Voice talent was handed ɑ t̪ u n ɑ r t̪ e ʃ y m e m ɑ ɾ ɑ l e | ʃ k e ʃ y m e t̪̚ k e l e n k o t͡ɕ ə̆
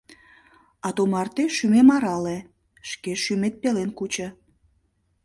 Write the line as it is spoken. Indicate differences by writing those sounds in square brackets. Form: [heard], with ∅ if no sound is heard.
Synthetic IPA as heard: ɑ t̪ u [m] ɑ r t̪ e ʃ y m e m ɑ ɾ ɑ l e | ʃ k e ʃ y m e t̪̚ [p] e l e n k [u] t͡ɕ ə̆